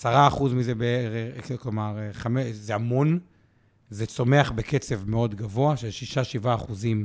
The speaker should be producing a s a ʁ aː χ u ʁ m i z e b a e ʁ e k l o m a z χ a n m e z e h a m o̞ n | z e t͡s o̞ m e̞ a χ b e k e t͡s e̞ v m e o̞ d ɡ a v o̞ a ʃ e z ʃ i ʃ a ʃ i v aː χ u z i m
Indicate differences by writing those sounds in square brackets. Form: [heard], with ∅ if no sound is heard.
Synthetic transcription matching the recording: a s a ʁ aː χ u [z] m i z e b [e] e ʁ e k l o m a [ʁ] χ a [∅] m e z e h a m o̞ n | z e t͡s o̞ m e̞ a χ b e k e t͡s e̞ v m e o̞ d ɡ a v o̞ a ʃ e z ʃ i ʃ a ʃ i v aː χ u z i m